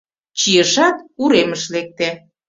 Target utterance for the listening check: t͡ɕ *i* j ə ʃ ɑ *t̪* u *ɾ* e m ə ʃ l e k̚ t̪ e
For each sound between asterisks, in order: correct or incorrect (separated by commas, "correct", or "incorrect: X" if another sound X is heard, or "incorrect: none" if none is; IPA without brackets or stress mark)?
correct, correct, correct